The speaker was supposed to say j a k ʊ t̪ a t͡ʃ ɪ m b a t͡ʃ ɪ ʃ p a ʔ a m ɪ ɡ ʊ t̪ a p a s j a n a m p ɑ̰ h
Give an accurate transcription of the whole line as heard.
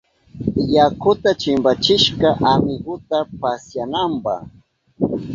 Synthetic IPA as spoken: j a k ʊ t̪ a t͡ʃ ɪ m b a t͡ʃ ɪ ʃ k a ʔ a m ɪ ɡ ʊ t̪ a p a s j a n a m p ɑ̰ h

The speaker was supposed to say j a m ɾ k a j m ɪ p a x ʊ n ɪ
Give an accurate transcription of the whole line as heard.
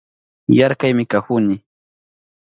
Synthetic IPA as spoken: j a ɾ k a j m ɪ k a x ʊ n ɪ

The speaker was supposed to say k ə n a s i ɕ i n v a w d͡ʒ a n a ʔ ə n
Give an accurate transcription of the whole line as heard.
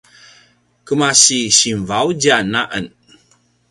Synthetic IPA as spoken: k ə m a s i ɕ i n v a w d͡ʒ a n a ʔ ə n

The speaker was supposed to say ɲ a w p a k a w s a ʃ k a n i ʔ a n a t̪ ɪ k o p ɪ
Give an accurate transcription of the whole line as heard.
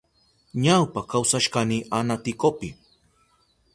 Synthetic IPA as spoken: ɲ a w p a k a w s a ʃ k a n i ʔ a n a t̪ ɪ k o p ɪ

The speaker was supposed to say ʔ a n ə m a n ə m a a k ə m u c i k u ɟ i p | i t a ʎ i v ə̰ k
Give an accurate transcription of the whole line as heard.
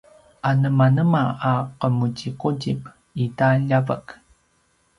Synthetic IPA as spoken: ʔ a n ə m a n ə m a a q ə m u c i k u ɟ i p | i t a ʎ a v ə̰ k

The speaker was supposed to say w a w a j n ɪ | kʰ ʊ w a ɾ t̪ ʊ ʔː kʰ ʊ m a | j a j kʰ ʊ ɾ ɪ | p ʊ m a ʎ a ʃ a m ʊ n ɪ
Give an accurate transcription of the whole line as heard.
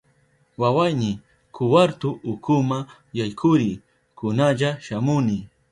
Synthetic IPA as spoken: w a w a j n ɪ | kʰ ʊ w a ɾ t̪ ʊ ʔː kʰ ʊ m a | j a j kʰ ʊ ɾ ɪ | k ʊ n a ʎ a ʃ a m ʊ n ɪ

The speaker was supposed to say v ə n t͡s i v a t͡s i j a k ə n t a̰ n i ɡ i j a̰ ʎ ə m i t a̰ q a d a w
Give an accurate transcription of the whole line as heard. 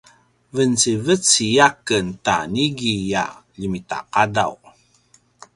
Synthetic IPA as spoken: v ə n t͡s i v ə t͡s i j a k ə n t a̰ n i ɡ i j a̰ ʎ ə m i t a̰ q a d a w

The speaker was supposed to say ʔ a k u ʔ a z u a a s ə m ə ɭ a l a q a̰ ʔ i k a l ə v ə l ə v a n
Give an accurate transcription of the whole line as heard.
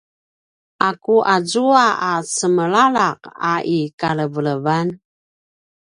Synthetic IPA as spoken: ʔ a k u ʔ a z u a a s ə m ə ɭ a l a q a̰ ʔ i k a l ə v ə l ə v a n

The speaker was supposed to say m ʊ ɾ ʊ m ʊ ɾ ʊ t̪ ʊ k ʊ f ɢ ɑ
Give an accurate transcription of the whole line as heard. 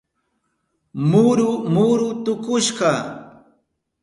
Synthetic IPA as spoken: m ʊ ɾ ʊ m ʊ ɾ ʊ t̪ ʊ k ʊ ʃ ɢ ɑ

